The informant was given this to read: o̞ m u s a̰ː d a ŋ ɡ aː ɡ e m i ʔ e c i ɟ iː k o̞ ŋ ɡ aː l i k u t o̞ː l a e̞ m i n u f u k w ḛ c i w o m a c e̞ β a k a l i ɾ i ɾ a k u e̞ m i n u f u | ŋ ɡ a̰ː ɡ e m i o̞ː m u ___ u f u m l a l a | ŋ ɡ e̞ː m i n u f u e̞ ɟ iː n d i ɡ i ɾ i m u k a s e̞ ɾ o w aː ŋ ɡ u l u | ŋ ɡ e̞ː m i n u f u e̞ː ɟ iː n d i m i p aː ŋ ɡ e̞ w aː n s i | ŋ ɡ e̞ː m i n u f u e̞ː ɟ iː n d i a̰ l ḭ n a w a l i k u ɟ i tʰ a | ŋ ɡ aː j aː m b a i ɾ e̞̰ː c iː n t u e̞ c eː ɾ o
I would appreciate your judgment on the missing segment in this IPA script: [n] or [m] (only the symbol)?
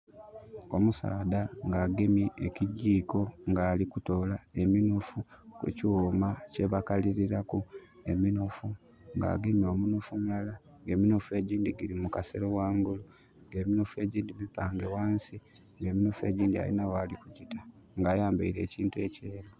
n